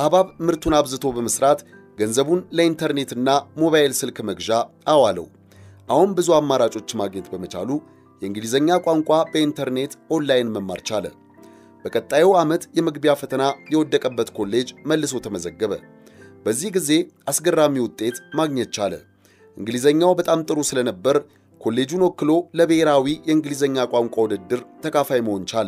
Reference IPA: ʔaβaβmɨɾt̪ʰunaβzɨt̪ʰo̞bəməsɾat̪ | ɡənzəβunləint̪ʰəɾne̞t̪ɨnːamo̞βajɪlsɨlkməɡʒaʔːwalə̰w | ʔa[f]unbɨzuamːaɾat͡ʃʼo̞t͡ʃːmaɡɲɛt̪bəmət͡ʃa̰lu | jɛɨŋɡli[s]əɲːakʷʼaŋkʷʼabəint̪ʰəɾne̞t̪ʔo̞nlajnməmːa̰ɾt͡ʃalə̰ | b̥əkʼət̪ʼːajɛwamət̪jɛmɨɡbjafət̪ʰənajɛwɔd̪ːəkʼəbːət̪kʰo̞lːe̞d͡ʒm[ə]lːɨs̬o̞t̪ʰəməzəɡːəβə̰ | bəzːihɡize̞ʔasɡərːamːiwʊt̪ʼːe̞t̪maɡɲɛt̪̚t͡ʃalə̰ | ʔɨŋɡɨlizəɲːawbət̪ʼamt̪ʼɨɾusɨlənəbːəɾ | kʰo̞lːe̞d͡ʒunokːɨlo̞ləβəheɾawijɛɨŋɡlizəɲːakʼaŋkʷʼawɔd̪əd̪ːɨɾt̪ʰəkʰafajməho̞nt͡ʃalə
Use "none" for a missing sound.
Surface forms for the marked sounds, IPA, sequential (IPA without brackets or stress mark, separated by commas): h, z, ə